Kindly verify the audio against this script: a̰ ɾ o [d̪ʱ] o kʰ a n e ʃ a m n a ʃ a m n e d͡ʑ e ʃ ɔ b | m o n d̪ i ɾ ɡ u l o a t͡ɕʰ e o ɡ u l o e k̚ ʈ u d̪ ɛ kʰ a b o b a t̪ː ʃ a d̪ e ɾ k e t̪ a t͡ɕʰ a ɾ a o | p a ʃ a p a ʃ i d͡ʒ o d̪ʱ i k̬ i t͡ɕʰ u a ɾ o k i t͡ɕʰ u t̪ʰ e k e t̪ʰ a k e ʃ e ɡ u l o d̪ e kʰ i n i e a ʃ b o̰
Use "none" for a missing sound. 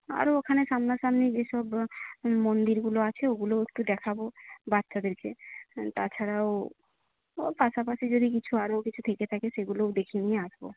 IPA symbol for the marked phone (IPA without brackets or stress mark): none